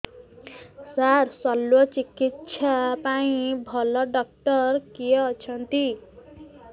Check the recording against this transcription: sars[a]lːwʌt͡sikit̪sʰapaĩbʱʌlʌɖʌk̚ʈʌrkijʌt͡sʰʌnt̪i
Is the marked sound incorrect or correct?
incorrect